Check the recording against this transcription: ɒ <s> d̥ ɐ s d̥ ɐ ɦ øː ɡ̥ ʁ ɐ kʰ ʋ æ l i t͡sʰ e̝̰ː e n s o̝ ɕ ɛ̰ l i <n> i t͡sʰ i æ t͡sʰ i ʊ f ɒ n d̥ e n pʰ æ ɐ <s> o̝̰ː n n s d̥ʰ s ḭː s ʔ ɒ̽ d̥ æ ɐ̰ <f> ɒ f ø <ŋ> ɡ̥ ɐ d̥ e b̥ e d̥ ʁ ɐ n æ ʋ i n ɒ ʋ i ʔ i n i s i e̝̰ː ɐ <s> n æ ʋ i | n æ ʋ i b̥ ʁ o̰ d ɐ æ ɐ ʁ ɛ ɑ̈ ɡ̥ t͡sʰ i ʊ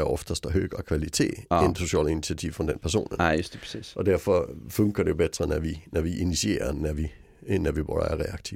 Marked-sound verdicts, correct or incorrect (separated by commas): incorrect, correct, correct, correct, correct, incorrect